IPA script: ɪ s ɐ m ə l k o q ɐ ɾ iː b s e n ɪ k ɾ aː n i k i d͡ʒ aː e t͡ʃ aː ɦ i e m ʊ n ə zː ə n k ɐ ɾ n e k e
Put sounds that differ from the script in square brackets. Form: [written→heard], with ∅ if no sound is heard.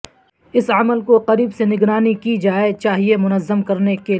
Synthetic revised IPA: ɪ s ɐ m ə l k o q ɐ ɾ iː b s e n ɪ [k→ɡ] ɾ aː n i k i d͡ʒ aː e t͡ʃ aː ɦ i e m ʊ n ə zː ə [n→m] k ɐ ɾ n e k e